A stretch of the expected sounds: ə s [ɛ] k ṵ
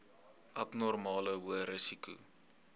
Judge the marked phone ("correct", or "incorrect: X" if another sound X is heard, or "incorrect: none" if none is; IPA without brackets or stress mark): incorrect: i